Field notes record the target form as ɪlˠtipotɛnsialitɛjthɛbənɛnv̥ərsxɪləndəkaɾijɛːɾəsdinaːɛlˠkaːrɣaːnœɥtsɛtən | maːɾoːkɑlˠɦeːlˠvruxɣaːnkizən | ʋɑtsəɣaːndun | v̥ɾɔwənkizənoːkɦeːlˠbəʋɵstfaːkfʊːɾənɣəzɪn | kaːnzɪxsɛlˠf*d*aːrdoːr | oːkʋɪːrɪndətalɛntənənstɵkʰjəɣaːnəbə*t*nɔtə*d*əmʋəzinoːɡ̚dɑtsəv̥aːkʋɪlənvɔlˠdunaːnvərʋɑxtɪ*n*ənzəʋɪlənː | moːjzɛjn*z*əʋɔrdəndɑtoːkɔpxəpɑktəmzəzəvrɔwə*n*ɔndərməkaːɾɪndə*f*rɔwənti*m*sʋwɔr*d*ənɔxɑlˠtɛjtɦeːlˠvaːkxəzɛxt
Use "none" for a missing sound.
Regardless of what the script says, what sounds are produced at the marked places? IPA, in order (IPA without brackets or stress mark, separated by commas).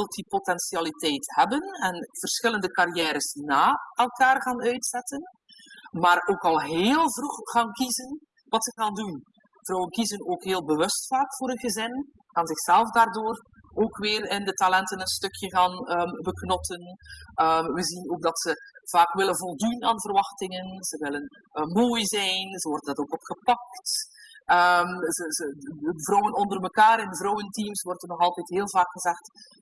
d, k, n, ŋ, z, n, v, m, t